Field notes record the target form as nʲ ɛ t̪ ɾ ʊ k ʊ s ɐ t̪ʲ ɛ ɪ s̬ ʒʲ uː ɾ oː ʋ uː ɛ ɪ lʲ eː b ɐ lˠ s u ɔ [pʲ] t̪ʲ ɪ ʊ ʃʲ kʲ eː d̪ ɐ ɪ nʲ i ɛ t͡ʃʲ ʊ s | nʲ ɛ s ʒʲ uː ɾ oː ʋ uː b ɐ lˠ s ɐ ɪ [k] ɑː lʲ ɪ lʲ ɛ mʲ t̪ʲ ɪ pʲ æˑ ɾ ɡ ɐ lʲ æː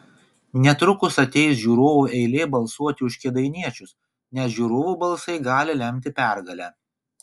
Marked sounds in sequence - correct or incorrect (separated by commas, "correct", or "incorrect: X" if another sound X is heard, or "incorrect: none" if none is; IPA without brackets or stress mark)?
incorrect: none, incorrect: ɡ